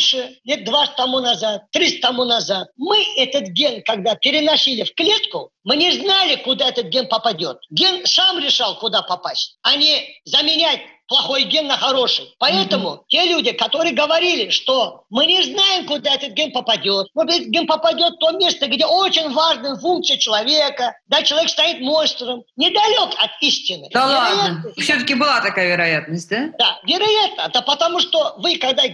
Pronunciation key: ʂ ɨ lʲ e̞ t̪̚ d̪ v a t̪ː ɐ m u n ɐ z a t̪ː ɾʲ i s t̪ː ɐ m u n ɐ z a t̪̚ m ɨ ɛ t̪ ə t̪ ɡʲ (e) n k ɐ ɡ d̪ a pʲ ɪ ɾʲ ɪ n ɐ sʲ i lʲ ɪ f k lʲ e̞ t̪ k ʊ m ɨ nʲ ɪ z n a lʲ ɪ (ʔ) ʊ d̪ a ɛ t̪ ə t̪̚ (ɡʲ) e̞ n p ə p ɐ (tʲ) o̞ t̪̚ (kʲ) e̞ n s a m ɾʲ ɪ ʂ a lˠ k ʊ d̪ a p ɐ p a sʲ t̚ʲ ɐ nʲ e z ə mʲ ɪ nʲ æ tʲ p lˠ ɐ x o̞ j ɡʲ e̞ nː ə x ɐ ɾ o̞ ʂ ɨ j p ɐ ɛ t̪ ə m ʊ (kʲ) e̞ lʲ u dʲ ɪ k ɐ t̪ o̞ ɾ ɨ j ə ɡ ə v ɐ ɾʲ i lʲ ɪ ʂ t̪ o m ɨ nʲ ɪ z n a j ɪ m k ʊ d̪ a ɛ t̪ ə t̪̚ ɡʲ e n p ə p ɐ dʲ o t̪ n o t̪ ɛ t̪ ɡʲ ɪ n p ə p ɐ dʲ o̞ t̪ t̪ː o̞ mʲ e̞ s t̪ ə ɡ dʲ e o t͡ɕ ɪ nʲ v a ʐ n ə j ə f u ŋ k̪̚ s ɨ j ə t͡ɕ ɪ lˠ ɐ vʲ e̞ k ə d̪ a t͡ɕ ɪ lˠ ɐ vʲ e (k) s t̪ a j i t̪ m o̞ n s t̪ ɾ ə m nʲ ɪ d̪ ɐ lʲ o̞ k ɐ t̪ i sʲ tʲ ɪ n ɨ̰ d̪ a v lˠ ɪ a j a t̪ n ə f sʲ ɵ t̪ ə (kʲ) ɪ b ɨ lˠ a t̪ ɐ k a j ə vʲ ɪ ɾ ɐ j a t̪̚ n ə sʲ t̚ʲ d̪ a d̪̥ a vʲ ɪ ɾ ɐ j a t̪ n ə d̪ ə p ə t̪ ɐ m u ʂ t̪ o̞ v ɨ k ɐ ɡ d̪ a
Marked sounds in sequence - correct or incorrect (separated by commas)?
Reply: correct, incorrect, correct, incorrect, incorrect, incorrect, correct, correct